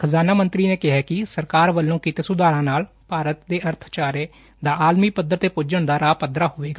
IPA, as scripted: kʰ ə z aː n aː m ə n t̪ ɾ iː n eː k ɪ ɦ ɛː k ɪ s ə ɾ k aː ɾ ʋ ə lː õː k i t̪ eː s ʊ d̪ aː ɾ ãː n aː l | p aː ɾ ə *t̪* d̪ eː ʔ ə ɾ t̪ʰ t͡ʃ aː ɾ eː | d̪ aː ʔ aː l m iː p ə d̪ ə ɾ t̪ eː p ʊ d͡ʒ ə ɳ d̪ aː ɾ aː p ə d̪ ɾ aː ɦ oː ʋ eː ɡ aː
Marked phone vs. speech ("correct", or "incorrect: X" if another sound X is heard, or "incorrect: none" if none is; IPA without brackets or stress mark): correct